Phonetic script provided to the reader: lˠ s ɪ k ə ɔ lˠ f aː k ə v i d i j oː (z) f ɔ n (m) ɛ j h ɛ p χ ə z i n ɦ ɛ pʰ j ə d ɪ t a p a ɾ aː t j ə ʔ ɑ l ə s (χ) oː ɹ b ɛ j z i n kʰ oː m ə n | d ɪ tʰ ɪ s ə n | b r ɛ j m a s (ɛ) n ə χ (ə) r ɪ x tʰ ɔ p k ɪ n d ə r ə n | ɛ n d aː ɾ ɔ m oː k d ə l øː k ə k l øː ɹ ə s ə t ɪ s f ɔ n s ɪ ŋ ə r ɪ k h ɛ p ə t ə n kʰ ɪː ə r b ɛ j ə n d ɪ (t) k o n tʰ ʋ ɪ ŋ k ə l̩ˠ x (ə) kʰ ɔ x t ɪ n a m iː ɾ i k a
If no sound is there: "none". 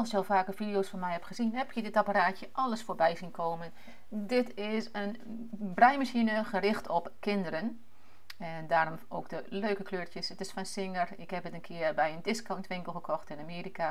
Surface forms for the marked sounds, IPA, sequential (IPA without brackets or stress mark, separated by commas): s, m, f, i, ə, s, ə